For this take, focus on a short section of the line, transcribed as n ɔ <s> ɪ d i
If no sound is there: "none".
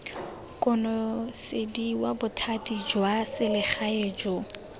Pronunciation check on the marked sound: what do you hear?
s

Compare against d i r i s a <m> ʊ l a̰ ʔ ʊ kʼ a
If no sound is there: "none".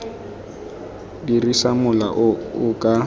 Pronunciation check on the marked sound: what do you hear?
m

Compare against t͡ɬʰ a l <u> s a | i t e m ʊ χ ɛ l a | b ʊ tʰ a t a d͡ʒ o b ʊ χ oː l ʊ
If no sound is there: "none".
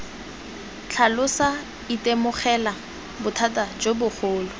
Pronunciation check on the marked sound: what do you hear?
ʊ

